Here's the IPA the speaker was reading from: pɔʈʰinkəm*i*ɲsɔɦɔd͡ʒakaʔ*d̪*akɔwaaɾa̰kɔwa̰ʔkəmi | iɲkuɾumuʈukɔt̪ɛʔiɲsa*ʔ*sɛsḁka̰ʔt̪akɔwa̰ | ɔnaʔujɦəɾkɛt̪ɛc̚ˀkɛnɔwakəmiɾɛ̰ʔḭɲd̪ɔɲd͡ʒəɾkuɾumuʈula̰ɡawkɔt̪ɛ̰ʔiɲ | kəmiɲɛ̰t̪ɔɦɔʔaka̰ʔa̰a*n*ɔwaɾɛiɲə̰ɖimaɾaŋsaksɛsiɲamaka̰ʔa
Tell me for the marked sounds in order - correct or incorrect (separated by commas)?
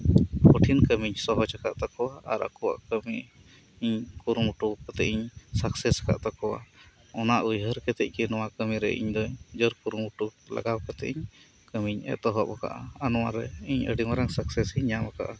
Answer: correct, incorrect, incorrect, correct